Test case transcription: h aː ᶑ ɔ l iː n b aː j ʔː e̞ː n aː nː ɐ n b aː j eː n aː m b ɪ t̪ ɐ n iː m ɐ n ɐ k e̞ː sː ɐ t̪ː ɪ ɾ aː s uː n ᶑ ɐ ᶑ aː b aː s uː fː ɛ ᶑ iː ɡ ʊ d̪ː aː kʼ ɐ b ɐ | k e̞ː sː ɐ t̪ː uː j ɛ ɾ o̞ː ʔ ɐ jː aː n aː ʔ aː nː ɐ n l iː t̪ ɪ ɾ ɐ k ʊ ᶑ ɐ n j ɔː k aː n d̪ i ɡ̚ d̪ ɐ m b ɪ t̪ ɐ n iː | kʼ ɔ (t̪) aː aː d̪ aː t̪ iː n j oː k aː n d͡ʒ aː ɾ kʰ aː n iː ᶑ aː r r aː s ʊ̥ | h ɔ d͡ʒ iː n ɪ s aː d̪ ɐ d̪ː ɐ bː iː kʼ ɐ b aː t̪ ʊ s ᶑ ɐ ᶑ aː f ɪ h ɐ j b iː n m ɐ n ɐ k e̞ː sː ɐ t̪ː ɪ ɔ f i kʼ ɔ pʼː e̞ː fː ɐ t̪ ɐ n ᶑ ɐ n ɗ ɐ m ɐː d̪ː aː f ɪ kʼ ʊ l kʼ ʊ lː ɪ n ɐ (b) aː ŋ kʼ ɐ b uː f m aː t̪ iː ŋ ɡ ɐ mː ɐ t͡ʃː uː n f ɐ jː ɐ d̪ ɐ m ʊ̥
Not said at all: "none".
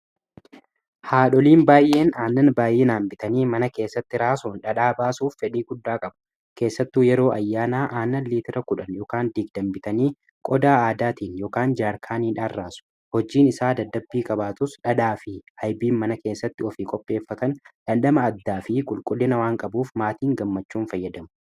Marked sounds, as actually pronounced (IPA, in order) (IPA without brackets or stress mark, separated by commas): d̪, w